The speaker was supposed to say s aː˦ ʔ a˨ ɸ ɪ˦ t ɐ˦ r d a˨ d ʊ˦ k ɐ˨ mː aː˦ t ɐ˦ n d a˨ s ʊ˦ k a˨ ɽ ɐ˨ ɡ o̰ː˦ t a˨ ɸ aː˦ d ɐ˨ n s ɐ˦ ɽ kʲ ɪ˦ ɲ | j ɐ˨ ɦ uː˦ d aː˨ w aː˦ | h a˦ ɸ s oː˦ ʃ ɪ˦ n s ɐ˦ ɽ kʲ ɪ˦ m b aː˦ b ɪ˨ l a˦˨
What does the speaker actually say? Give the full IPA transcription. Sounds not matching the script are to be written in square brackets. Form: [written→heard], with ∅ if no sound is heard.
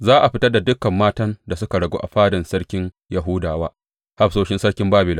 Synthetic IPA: [s→z] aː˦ ʔ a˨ ɸ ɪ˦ t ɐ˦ r d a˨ d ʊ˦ k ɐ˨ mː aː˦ t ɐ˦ n d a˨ s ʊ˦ k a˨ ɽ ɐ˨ ɡ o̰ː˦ [t→ʔ] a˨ ɸ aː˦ d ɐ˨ n s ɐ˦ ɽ kʲ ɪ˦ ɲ | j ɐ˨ ɦ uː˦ d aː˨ w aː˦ | h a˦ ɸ s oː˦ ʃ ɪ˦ n s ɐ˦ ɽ kʲ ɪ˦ m b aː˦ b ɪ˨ l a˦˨